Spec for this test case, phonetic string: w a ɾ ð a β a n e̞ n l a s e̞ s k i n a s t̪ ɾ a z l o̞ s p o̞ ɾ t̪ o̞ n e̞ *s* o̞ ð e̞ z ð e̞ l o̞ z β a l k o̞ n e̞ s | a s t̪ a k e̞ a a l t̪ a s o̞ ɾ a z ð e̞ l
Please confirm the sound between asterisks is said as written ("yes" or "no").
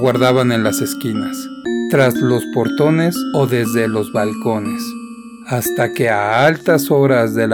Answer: yes